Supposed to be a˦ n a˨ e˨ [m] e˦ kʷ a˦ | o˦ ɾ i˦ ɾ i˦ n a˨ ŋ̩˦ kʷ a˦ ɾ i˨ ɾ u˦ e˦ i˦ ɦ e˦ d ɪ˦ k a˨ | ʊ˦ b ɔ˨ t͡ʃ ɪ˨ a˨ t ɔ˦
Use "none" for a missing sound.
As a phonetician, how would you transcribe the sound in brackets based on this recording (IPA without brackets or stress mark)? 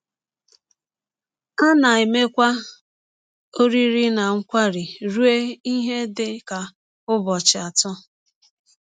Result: m